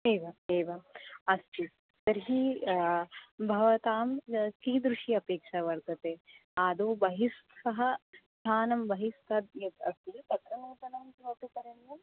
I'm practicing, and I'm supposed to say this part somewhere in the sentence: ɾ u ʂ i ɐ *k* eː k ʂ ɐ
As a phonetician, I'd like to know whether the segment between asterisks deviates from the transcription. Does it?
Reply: yes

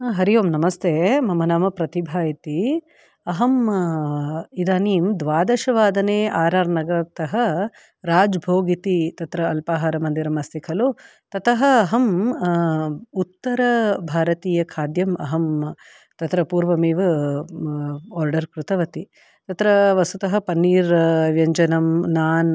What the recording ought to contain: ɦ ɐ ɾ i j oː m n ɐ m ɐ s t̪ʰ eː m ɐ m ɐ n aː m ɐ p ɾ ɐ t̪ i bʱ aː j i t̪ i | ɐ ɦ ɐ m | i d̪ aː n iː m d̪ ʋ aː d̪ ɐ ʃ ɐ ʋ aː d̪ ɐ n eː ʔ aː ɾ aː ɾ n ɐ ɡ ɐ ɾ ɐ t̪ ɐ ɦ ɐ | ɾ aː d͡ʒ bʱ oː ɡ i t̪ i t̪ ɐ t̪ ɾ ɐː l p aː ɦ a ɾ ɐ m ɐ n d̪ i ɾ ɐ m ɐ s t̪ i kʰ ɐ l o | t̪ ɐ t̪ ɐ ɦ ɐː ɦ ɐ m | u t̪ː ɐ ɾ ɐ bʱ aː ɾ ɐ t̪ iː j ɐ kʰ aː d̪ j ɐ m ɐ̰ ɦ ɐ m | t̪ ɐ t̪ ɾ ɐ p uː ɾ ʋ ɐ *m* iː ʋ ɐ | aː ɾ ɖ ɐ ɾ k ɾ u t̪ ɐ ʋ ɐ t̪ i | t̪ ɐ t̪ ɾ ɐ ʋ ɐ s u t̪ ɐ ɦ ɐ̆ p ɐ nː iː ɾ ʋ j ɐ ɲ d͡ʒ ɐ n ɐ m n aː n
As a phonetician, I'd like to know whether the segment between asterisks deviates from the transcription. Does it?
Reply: no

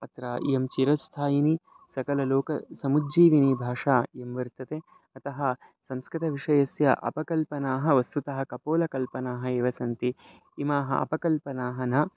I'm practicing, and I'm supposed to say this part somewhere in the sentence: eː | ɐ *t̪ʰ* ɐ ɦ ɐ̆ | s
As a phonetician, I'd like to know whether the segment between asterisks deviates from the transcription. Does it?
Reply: yes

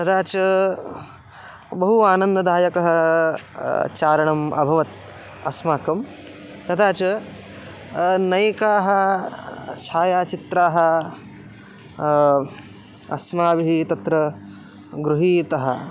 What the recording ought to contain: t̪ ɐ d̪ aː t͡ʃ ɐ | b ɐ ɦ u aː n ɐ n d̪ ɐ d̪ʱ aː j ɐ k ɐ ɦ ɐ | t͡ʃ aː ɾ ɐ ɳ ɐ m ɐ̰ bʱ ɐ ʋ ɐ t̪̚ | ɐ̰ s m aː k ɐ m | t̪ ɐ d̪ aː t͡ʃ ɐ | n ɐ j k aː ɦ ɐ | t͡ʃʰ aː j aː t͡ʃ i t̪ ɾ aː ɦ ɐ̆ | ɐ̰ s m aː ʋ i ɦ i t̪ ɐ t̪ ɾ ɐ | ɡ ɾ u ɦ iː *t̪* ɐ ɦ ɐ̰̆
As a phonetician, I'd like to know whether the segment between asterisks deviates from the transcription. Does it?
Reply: no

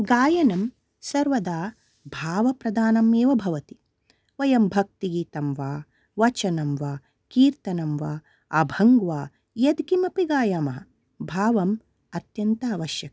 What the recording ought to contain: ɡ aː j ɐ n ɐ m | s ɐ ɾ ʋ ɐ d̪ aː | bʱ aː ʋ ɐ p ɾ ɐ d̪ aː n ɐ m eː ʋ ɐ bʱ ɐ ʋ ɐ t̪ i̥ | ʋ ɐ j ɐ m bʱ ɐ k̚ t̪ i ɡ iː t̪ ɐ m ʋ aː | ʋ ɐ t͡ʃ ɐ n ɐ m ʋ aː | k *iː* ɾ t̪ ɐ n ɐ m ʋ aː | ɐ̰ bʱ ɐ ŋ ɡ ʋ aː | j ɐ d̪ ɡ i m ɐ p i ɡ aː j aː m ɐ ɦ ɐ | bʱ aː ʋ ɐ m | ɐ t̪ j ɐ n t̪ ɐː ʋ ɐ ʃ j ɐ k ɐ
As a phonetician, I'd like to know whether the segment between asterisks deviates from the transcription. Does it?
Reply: no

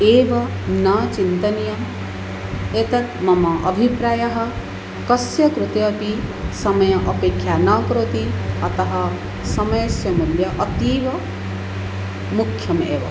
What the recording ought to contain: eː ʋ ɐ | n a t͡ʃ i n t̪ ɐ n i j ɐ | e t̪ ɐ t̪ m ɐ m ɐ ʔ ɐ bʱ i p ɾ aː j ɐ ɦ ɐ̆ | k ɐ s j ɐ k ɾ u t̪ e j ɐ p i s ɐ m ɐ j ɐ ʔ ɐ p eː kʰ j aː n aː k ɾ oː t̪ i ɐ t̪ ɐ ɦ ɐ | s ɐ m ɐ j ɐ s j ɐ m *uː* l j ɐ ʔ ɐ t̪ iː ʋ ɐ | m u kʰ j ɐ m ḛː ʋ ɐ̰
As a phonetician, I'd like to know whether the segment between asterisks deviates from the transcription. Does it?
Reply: yes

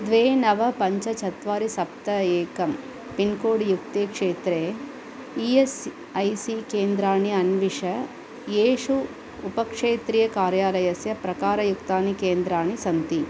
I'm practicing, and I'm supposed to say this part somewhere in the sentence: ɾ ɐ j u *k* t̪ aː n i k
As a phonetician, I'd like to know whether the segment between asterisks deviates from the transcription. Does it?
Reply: no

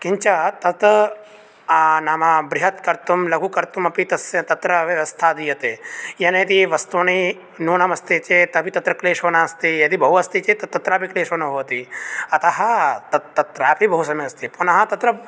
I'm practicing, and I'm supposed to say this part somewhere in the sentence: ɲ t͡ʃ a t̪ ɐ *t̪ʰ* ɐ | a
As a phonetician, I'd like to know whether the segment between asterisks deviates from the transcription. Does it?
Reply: yes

